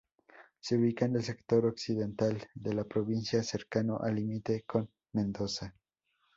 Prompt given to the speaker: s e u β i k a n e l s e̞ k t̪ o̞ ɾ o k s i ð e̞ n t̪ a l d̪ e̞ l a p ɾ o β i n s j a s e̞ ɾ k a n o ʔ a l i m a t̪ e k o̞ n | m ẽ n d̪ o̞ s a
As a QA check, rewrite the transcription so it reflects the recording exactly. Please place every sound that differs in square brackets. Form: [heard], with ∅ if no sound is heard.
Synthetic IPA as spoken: s e u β i k a n e l s e̞ k t̪ o̞ ɾ o k s i ð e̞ n t̪ a l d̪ e̞ l a p ɾ o β i n s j a s e̞ ɾ k a n o ʔ a l i m [i] t̪ e k o̞ n | m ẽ n d̪ o̞ s a